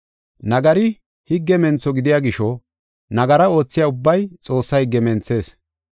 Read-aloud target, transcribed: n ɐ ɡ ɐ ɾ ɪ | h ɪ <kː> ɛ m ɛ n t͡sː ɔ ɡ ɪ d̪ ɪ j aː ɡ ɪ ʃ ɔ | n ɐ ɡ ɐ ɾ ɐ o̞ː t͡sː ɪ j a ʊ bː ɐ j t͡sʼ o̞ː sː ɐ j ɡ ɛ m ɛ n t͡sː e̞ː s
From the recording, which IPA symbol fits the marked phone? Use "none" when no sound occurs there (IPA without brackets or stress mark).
ɡː